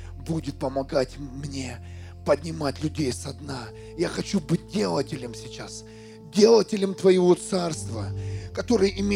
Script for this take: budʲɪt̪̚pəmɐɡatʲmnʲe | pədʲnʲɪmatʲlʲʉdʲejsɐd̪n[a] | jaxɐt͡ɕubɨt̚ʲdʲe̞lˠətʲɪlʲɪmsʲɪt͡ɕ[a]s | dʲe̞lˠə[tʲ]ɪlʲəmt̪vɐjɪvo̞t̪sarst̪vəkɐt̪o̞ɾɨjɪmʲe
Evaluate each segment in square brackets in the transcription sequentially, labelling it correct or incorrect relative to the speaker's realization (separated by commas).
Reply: correct, correct, correct